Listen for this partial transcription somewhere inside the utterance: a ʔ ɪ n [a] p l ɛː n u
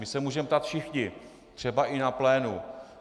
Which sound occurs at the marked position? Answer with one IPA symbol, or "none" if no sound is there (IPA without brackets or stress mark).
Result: a